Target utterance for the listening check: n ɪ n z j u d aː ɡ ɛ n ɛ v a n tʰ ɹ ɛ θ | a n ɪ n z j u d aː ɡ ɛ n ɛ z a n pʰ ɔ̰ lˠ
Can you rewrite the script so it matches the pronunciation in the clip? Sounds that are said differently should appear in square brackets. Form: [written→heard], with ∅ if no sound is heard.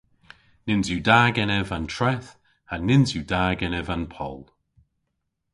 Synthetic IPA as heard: n ɪ n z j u d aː ɡ ɛ n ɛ v a n tʰ ɹ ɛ θ | a n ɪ n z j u d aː ɡ ɛ n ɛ [z→v] a n pʰ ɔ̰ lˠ